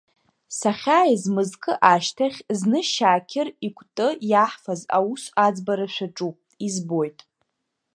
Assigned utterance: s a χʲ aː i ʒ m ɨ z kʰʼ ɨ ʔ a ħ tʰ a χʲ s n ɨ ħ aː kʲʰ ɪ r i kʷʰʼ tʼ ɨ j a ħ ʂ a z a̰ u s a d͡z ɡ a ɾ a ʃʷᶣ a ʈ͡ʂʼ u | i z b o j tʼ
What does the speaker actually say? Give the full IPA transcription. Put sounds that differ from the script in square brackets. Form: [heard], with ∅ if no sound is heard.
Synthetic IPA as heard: s a χʲ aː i [z] m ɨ z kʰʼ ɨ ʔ a [ʃ] tʰ a χʲ [z] n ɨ [ʃ] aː kʲʰ ɪ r i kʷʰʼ tʼ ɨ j a ħ [f] a z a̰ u s a d͡z [b] a ɾ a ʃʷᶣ a ʈ͡ʂʼ u | i z b o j tʼ

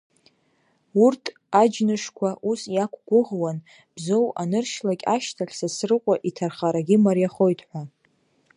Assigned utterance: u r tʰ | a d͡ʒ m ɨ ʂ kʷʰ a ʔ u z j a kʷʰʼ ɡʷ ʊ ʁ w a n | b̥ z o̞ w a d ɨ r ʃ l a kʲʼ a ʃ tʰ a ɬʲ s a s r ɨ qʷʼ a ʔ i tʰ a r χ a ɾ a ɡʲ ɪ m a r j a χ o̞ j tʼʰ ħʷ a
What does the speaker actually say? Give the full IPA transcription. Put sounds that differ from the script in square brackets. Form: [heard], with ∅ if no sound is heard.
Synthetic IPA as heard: u r tʰ | a d͡ʒ [n] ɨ ʂ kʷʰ a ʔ u [s] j a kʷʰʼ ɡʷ ʊ ʁ w a n | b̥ z o̞ w a [n] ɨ r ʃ l a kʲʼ a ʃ tʰ a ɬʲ s a s r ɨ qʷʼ a ʔ i tʰ a r χ a ɾ a ɡʲ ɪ m a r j a χ o̞ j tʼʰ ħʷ a

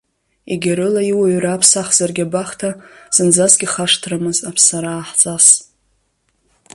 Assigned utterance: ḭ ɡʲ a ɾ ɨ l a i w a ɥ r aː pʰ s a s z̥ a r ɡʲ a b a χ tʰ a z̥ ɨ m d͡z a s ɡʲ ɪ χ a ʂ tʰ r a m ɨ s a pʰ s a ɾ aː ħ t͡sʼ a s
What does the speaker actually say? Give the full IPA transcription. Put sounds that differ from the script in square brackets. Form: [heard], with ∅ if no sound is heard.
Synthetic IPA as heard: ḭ ɡʲ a ɾ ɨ l a i w a ɥ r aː pʰ s a [χ] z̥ a r ɡʲ a b a χ tʰ a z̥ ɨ [n] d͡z a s ɡʲ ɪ χ a ʂ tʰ r a m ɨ [z] a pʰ s a ɾ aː ħ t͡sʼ a s

